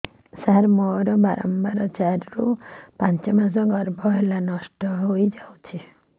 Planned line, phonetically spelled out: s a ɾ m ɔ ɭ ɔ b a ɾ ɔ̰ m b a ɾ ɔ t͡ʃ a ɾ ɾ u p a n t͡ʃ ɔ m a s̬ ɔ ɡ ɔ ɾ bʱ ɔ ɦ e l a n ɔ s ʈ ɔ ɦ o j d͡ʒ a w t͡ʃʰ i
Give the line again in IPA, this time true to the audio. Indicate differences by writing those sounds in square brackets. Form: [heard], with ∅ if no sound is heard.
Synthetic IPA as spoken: s a ɾ m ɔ [ɾ] ɔ b a ɾ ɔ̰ m b a ɾ ɔ t͡ʃ a ɾ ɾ u p a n t͡ʃ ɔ m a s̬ ɔ ɡ ɔ ɾ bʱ ɔ ɦ e l a n ɔ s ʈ ɔ ɦ o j d͡ʒ a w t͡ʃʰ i